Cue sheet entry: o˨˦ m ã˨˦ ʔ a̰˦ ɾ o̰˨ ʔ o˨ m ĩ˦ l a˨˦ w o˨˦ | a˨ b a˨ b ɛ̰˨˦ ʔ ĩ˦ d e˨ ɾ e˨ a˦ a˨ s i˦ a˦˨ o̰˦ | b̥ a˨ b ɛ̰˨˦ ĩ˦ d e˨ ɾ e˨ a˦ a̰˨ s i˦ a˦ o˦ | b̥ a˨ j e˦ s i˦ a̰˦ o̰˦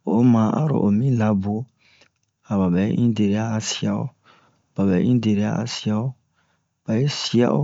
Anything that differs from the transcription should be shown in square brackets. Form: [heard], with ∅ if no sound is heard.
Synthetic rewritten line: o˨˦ m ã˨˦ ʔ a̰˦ ɾ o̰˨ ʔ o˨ m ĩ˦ l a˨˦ [b] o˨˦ | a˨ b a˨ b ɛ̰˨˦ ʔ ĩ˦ d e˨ ɾ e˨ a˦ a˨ s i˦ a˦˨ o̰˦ | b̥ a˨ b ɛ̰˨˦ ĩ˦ d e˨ ɾ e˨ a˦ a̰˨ s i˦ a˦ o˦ | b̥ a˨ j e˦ s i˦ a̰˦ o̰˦